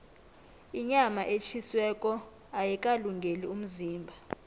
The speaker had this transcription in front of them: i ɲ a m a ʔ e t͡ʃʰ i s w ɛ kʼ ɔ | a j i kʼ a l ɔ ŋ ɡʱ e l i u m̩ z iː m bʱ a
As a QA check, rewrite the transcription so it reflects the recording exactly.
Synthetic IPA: i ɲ a m a ʔ e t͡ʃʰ i s w ɛ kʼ ɔ | a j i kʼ a l u ŋ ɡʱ e l i u m̩ z iː m bʱ a